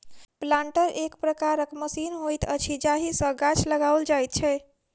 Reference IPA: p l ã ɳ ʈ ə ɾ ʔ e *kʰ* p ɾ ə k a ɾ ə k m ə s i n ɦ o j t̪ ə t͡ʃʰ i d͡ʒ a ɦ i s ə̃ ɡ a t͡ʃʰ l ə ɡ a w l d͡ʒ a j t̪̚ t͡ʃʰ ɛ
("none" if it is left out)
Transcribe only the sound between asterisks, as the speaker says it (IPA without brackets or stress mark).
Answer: k